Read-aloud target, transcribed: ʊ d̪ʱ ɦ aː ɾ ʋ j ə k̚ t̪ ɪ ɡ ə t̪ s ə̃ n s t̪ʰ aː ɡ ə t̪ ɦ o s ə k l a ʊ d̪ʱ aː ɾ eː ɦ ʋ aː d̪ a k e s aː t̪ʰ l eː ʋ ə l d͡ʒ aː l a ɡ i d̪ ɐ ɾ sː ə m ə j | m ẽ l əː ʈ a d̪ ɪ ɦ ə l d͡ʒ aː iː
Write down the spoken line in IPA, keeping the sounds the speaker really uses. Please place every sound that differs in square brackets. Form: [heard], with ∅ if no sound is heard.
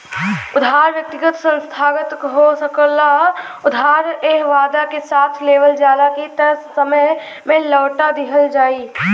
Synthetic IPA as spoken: ʊ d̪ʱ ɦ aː ɾ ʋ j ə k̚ t̪ ɪ ɡ ə t̪ s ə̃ n s t̪ʰ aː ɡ ə t̪ ɦ o s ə k l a ʊ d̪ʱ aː ɾ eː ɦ ʋ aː d̪ a k e s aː t̪ʰ l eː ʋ ə l d͡ʒ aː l a [k] i [t̪] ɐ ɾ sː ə m ə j | m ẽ l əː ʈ a d̪ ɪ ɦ ə l d͡ʒ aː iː